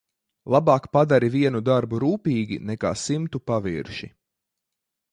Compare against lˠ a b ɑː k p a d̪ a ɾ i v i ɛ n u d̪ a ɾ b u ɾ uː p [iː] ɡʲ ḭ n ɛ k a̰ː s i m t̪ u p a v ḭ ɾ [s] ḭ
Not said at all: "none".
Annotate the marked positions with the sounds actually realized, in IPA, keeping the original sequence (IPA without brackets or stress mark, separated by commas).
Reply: iː, ʃ